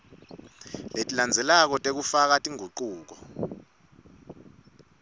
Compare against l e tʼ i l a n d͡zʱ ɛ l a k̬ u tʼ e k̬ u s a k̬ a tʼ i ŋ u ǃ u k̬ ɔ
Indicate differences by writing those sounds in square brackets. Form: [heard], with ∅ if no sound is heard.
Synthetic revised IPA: l e tʼ i l a n d͡zʱ ɛ l a k̬ [ɔ] tʼ e k̬ u [f] a k̬ a tʼ i ŋ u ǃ [uː] k̬ ɔ